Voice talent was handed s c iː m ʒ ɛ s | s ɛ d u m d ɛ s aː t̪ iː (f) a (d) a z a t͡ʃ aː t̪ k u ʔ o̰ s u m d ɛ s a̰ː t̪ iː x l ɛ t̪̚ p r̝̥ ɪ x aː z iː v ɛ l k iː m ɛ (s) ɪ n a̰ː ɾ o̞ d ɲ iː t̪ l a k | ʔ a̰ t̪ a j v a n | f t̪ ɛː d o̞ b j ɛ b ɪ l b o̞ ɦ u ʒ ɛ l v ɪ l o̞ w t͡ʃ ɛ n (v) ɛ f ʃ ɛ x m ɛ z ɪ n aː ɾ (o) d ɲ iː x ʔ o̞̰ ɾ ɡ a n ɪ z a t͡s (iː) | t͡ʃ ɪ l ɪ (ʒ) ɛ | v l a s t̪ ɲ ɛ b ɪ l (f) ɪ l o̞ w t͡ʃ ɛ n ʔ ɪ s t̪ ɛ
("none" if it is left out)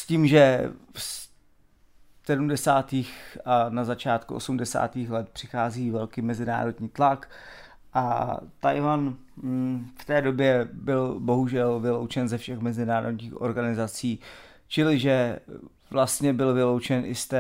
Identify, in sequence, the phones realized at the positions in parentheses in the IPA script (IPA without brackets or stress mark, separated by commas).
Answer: x, n, z, z, o, iː, ʒ, v